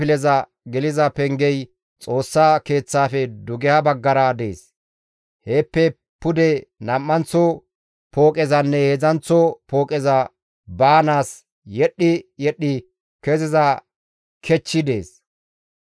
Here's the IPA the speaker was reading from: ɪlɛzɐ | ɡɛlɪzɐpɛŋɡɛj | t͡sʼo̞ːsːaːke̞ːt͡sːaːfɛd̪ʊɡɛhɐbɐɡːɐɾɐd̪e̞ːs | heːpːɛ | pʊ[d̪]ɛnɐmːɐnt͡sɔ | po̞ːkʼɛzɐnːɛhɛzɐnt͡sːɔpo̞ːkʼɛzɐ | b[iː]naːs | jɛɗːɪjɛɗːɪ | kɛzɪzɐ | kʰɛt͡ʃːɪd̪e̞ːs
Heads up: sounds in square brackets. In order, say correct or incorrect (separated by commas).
correct, incorrect